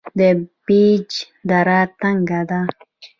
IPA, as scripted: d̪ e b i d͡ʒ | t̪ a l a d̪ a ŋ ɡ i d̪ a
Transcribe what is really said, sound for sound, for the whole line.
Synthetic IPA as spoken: d̪ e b i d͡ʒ | d̪ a ɾ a t̪ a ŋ ɡ a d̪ a